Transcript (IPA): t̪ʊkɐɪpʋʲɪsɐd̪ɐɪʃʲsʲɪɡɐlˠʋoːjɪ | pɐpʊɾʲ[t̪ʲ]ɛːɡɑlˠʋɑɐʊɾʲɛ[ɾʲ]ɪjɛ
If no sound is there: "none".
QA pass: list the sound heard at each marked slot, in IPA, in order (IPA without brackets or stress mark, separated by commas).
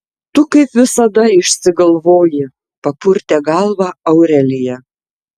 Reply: t̪ʲ, lʲ